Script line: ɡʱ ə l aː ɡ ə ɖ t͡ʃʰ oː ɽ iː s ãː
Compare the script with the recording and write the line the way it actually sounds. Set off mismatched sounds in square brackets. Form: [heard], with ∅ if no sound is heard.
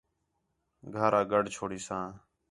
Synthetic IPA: ɡʱ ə [ɾ] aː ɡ ə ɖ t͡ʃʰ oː ɽ iː s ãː